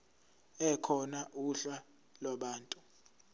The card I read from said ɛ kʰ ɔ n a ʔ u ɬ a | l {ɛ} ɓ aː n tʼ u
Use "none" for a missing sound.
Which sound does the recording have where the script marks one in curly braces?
a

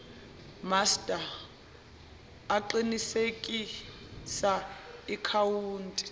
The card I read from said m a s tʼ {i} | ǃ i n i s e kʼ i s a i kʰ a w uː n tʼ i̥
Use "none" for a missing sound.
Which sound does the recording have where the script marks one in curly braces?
a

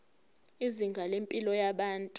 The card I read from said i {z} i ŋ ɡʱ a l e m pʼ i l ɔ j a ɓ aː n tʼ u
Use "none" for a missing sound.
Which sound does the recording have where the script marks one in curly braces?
z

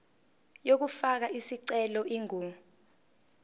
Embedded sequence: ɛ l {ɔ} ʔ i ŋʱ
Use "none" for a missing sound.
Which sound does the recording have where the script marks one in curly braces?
ɔ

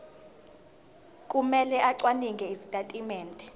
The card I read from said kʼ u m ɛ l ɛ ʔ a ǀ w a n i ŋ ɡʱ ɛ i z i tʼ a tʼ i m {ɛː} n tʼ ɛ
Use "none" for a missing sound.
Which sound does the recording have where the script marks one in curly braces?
ɛː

